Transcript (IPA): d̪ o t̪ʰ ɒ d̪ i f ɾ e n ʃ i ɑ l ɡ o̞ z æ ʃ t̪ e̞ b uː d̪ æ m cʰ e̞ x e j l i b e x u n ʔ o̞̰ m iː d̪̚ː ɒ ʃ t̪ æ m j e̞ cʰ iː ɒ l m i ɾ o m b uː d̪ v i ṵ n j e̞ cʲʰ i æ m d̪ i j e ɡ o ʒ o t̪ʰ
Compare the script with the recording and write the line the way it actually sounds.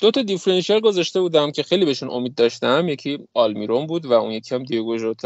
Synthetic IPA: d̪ o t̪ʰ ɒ d̪ i f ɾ e n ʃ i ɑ l ɡ o̞ z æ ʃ t̪ e̞ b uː d̪ æ m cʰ e̞ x e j l i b e ʃ u n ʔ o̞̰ m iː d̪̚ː ɒ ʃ t̪ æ m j e̞ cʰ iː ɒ l m i ɾ o m b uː d̪ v æ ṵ n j e̞ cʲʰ i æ m d̪ i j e ɡ o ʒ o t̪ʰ